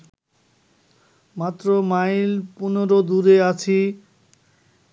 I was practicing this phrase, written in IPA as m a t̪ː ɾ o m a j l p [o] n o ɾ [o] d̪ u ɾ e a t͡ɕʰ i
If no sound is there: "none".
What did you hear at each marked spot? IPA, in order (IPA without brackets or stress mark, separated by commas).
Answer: u, o